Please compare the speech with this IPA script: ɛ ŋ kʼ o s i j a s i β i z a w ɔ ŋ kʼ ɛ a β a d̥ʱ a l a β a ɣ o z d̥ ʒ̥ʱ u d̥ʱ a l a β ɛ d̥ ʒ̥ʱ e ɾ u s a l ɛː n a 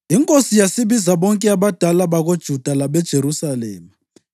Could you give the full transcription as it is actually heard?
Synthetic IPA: i ŋ kʼ o s i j a s i β i z a β ɔ ŋ kʼ ɛ a β a d̥ʱ a l a β a ɣ o d̥ ʒ̥ʱ u d̥ʱ a l a β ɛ d̥ ʒ̥ʱ e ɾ u s a l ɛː m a